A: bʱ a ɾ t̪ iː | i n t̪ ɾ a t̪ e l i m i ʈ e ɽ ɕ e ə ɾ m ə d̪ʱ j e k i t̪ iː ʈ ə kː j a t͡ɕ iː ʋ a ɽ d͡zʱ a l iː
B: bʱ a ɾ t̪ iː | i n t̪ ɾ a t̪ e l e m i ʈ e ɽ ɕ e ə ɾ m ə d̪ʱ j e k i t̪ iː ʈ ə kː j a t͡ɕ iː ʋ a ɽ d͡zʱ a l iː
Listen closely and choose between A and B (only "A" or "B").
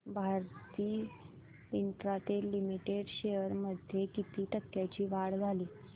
A